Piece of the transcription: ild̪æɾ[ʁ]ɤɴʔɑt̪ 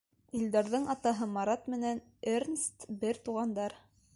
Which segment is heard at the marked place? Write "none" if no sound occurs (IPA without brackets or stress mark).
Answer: ð